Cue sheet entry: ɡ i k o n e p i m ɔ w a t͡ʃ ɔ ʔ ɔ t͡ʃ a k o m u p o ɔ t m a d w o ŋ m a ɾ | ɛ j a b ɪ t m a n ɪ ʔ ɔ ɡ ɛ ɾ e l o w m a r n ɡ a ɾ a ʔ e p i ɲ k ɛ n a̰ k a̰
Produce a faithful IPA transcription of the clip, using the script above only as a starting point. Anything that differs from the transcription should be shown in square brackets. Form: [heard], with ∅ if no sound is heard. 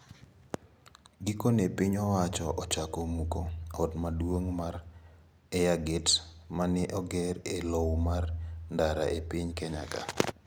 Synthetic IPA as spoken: ɡ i k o n e p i [ɲ] ɔ w a t͡ʃ ɔ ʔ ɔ t͡ʃ a k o m u [k] o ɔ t m a d w o ŋ m a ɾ | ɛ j a [ɡ] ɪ t m a n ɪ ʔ ɔ ɡ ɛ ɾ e l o w m a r n [d] a ɾ a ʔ e p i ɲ k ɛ [ɲ] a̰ k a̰